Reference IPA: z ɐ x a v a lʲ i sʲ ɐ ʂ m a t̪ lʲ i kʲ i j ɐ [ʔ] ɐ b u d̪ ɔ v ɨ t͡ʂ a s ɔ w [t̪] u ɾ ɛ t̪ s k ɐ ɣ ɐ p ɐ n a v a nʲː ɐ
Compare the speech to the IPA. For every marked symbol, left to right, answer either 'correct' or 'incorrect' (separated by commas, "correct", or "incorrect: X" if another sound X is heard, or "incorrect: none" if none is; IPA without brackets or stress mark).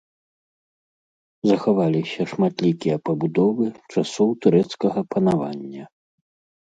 incorrect: p, correct